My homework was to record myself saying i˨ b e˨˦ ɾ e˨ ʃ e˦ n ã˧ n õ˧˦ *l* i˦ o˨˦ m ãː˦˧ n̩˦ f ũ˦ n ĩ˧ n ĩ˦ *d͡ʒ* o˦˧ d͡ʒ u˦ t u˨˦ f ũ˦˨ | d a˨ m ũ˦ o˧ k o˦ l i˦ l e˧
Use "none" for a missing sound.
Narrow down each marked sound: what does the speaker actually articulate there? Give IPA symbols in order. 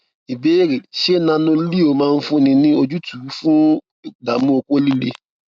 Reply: l, none

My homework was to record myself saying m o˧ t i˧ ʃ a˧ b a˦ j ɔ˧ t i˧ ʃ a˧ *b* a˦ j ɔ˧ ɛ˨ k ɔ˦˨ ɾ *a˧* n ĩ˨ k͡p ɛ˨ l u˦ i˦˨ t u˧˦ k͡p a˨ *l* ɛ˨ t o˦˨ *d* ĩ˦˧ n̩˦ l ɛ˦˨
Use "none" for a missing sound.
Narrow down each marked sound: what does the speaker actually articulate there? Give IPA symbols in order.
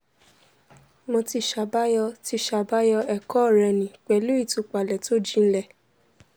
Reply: b, ɛ˧, l, d͡ʒ

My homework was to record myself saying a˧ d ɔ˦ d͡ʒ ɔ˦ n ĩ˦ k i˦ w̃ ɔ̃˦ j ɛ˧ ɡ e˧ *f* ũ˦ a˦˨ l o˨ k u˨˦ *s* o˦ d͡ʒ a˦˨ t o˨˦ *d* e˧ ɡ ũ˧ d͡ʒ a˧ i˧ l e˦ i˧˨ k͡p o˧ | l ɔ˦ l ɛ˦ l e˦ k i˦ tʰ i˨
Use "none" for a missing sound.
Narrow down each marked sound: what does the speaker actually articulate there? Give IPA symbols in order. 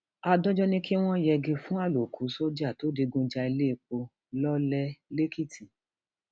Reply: f, s, d

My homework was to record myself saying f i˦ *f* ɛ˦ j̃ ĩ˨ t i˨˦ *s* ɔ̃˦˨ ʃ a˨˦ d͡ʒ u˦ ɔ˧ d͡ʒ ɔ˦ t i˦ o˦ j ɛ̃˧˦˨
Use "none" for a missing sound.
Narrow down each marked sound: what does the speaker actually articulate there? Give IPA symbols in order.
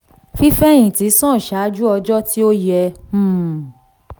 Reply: f, s

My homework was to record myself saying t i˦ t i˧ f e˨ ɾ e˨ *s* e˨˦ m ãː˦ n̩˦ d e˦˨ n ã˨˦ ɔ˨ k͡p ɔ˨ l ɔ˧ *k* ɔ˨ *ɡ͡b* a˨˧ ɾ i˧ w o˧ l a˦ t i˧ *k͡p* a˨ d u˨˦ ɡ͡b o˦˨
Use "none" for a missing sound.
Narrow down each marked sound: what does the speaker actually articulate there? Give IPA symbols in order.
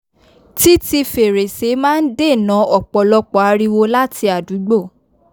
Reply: s, k͡p, none, none

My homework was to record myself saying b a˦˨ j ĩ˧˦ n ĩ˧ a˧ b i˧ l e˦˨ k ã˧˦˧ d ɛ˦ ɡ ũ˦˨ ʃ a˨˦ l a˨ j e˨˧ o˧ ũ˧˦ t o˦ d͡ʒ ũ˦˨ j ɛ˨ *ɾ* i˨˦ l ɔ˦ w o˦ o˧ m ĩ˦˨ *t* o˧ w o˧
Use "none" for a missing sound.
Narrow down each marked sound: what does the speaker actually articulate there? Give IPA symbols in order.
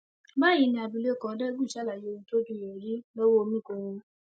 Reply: ɾ, k

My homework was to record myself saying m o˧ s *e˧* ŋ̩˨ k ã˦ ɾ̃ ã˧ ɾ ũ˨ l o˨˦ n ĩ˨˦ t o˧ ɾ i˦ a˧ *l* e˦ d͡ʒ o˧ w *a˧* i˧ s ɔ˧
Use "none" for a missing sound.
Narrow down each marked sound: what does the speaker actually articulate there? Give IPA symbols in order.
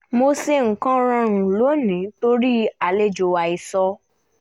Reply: e˧, l, a˧

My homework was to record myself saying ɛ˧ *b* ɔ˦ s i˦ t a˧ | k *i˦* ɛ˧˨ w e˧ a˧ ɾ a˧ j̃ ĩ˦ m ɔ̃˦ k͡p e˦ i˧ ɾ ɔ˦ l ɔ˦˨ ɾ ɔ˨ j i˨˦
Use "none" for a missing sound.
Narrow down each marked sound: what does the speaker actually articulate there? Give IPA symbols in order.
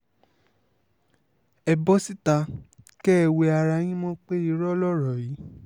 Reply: b, ɛ˦

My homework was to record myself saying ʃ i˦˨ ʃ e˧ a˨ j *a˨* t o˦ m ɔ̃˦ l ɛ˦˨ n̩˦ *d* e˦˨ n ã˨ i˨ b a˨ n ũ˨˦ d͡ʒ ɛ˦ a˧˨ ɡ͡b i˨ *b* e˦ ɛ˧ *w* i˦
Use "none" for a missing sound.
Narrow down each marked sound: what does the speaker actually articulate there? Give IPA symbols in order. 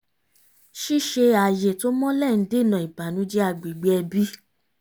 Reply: e˨, d, ɡ͡b, b

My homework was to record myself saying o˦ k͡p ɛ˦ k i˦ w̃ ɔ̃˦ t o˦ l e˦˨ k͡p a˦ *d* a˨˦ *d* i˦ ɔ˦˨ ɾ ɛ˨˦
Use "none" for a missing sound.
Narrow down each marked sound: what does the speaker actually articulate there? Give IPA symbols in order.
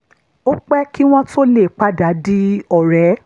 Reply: d, d

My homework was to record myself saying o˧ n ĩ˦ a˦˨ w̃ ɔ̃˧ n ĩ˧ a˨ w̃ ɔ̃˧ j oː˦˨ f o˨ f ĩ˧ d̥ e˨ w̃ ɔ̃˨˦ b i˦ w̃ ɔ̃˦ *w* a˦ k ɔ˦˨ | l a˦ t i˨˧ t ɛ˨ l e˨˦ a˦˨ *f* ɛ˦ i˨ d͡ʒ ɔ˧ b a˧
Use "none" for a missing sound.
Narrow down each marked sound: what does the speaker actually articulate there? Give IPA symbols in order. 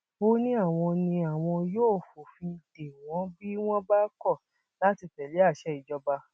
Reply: b, ʃ

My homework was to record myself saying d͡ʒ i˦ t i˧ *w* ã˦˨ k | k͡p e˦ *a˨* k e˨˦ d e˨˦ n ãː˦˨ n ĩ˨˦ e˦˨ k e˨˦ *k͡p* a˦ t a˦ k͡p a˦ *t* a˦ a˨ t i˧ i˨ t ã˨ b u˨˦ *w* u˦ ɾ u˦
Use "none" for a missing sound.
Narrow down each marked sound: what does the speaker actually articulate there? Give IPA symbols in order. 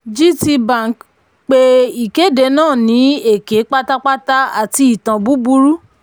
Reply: b, i˨, k͡p, t, b

